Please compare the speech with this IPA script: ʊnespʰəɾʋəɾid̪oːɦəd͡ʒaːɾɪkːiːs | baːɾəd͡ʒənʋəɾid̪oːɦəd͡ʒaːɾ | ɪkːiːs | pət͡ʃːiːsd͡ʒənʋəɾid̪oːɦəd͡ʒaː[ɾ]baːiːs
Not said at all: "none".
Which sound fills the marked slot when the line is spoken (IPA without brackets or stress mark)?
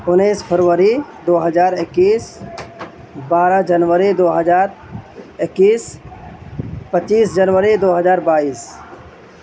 ɾ